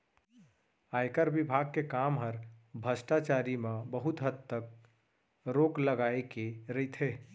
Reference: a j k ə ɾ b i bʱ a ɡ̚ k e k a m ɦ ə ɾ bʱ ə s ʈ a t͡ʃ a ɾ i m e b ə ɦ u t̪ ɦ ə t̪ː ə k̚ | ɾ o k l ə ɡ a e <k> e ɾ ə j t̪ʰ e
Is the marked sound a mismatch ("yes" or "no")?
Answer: no